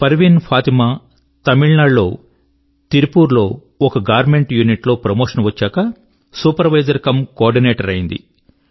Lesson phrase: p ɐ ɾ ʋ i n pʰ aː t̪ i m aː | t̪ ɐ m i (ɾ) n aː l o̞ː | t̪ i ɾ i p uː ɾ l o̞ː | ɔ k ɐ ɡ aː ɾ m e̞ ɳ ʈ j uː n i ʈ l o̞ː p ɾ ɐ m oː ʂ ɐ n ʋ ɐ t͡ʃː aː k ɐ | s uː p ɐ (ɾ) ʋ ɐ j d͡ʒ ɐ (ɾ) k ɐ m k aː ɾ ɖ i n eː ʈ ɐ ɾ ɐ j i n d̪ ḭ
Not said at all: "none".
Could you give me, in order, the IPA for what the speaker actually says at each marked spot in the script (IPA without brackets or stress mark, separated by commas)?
ɭ, ɾ, ɾ